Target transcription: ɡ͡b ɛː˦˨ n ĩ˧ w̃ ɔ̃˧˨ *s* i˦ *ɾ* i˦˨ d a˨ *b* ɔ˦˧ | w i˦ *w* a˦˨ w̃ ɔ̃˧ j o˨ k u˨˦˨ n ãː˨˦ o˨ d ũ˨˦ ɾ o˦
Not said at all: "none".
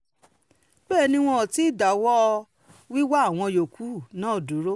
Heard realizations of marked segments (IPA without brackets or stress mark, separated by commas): t, none, w, w